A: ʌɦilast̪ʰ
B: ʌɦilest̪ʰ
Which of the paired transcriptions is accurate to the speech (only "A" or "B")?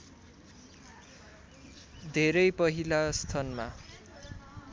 A